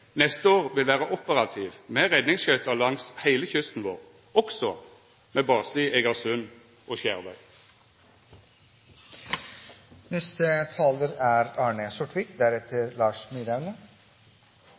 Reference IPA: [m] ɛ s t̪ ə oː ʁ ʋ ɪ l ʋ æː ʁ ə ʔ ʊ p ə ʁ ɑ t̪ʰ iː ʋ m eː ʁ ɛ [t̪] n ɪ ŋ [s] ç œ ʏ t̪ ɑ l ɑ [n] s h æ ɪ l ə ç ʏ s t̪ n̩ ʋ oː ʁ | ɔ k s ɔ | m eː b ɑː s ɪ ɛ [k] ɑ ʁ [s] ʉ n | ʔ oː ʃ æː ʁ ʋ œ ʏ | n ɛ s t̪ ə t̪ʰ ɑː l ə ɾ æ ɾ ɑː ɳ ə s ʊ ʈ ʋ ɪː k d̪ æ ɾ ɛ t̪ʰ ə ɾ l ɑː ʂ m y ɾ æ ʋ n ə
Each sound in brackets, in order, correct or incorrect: incorrect: n, incorrect: d̪, correct, incorrect: ŋ, incorrect: ɡ, correct

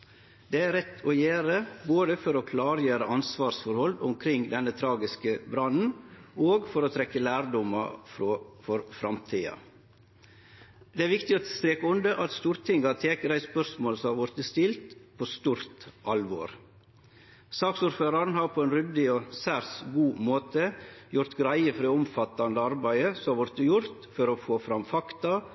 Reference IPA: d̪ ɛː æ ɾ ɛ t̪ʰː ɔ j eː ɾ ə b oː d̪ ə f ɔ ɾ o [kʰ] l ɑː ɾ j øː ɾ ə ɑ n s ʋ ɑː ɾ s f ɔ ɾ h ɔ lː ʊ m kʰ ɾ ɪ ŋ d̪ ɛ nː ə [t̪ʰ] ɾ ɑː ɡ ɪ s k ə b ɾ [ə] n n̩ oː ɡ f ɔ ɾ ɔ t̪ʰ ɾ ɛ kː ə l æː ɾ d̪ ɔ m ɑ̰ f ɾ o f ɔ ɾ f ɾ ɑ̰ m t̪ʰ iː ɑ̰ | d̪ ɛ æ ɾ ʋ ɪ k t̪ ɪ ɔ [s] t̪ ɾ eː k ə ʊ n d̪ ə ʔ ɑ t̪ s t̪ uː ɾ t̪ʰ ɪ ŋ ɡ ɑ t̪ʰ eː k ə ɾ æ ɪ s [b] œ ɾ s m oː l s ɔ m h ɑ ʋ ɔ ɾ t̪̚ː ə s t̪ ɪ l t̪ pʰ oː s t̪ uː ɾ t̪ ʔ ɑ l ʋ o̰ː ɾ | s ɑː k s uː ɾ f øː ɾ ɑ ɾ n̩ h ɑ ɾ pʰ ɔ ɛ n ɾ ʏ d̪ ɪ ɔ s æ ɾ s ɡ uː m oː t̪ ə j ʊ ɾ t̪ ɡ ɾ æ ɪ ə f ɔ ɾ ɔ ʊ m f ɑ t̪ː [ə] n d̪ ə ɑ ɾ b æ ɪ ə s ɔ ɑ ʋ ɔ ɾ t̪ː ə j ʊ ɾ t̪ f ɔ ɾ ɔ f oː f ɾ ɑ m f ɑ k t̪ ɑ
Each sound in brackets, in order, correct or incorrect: correct, correct, incorrect: ɑ, correct, incorrect: p, incorrect: ɑ

